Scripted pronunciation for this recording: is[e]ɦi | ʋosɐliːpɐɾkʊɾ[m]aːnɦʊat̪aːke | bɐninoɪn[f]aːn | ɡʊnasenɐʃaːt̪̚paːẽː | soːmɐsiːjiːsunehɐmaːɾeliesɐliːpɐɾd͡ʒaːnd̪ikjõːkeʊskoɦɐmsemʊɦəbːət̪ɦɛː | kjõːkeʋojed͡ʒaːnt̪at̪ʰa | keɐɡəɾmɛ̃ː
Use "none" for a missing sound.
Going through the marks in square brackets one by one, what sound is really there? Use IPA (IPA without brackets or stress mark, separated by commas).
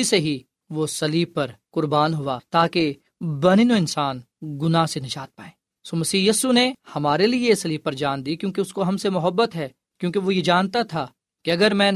e, b, s